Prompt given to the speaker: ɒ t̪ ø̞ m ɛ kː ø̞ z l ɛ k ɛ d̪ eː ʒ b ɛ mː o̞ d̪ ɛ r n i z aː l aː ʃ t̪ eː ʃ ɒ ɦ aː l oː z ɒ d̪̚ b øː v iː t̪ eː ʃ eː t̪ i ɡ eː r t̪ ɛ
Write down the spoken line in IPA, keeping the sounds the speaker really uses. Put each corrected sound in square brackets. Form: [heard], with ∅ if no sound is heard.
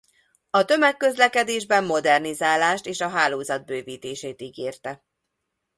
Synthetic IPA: ɒ t̪ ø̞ m ɛ kː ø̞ z l ɛ k ɛ d̪ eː ʒ b ɛ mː o̞ d̪ ɛ r n i z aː l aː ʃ t̪ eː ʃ ɒ ɦ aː l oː z ɒ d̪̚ b øː v iː t̪ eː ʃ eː t̪ i ɡ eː r t̪ ɛ